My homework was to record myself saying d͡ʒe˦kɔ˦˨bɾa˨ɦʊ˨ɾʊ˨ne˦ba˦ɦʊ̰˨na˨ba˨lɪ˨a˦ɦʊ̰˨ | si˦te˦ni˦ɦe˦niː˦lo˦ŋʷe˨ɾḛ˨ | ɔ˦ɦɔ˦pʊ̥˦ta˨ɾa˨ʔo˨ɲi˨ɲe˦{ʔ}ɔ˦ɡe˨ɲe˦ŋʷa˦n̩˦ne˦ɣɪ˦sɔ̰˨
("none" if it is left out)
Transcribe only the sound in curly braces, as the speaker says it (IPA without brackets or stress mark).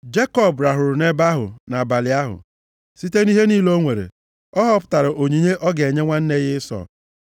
ʔ